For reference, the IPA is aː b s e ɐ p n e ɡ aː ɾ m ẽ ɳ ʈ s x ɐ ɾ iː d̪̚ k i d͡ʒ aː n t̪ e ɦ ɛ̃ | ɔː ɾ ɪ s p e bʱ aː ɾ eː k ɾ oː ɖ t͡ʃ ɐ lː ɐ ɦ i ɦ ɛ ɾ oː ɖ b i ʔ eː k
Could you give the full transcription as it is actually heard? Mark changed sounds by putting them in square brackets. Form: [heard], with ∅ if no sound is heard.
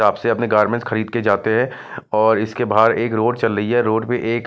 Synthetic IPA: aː b s e ɐ p n e ɡ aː ɾ m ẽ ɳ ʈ s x ɐ ɾ iː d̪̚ k [e] d͡ʒ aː [∅] t̪ e ɦ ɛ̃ | ɔː ɾ ɪ s [k] e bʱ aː ɾ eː k ɾ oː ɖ t͡ʃ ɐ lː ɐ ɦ i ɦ ɛ ɾ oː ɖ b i ʔ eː k